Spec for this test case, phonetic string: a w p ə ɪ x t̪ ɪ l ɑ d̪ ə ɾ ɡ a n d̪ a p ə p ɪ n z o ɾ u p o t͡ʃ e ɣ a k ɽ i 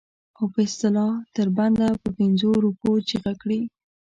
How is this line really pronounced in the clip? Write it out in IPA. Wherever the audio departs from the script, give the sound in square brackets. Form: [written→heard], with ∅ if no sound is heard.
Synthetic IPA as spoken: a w p ə ɪ [x→s] t̪ ɪ l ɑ [d̪→t̪] ə ɾ [ɡ→b] a n d̪ a p ə p ɪ n z o ɾ u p o t͡ʃ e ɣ a k ɽ i

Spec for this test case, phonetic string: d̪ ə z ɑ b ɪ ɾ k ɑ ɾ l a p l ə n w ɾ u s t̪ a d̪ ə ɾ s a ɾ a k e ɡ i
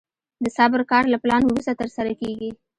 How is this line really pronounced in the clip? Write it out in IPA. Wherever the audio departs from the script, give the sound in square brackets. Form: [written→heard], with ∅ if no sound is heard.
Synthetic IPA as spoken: d̪ ə [z→s] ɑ b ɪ ɾ k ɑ ɾ l a p l [ə→ɑ] n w ɾ u s t̪ a [d̪→t̪] ə ɾ s a ɾ a k e ɡ i

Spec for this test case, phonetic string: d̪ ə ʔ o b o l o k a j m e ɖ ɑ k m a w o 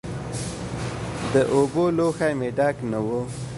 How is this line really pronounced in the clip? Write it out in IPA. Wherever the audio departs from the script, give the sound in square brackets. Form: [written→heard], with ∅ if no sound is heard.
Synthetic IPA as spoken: d̪ ə ʔ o b o l o [k→x] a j m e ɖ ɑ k [m→n] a w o

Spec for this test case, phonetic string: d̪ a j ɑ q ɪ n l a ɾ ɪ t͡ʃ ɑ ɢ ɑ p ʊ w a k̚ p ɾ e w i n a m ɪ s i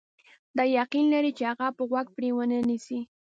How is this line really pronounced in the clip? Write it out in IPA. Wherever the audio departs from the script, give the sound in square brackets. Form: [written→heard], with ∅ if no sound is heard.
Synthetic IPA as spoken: d̪ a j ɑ q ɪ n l a ɾ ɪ t͡ʃ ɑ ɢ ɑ p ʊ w a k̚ p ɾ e w [i→a] n a [m→n] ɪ s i

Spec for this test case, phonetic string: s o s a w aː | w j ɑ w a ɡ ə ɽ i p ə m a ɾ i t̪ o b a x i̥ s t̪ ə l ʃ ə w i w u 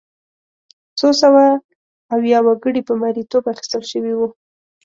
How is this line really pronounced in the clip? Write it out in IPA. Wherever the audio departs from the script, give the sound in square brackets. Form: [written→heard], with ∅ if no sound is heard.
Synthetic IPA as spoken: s o s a w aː | w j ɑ w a ɡ ə ɽ i p ə m a ɾ i t̪ o b a x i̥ s t̪ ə l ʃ ə w i w u

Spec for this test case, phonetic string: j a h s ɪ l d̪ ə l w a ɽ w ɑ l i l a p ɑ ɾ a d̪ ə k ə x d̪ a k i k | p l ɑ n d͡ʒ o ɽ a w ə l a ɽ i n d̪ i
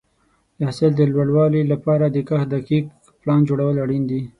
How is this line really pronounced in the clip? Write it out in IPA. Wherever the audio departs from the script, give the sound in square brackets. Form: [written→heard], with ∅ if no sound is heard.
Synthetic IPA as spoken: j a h s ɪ l d̪ ə l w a ɽ w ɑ l i l a p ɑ ɾ a d̪ ə k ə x d̪ a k i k | p l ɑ n d͡ʒ o ɽ a w ə l a ɽ i n d̪ i

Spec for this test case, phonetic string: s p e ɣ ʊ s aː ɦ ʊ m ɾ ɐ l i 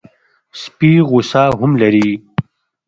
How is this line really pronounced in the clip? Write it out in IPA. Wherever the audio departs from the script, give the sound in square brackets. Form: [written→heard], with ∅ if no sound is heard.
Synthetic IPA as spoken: s p [e→i] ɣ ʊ s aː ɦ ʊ m [ɾ→l] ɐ [l→ɾ] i

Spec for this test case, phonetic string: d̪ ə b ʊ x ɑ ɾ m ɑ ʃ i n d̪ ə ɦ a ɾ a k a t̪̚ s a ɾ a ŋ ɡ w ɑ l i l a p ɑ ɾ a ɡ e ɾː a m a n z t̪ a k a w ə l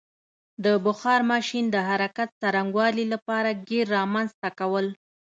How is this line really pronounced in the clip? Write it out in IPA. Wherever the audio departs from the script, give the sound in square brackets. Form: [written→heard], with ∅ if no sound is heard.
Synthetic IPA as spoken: d̪ ə b ʊ x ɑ ɾ m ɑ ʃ i n d̪ ə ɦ a ɾ a k a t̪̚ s a ɾ a ŋ ɡ w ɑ l i l a p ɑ ɾ a ɡ e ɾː [a→ɑ] m a n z t̪ a k a w ə l

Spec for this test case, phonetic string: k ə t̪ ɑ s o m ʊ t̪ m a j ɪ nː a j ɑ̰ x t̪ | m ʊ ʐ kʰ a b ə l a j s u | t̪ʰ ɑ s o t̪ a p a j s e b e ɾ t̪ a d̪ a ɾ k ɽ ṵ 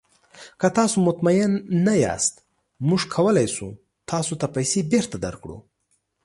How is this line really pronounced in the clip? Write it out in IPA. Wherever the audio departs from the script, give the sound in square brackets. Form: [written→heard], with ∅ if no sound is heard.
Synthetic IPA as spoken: k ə t̪ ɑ s o m ʊ t̪ m a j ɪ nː a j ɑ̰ [x→s] t̪ | m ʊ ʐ kʰ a [b→w] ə l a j s u | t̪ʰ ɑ s o t̪ a p a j s e b e ɾ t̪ a d̪ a ɾ k ɽ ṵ

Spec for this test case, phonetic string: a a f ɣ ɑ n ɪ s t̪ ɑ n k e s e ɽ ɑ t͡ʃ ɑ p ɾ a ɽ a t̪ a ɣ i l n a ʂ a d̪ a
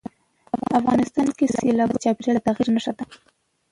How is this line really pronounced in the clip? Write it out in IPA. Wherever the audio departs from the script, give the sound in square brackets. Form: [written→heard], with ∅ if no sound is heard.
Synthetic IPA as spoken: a a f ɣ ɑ n ɪ s t̪ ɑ n k e s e [ɽ→l] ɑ t͡ʃ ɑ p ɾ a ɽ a t̪ a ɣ i [l→ɾ] n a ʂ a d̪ a

